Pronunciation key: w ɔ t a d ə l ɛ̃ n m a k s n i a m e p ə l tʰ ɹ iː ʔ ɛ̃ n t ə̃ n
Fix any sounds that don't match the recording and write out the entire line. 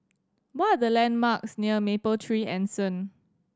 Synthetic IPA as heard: w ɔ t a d ə l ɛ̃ n m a k s n i ə m e p ə l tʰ ɹ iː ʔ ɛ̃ n s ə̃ n